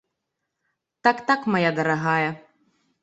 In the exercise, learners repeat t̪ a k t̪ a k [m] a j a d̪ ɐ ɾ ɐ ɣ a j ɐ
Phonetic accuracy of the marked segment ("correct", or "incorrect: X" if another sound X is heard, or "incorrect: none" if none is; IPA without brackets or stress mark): correct